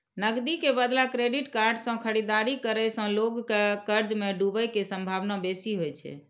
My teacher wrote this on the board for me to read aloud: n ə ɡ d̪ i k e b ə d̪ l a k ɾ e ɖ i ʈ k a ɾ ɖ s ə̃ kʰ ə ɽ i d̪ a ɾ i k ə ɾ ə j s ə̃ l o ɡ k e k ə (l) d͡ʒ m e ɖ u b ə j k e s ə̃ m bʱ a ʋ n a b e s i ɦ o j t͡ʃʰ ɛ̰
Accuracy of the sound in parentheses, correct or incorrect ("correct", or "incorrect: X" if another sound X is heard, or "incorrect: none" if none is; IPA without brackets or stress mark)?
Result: incorrect: ɾ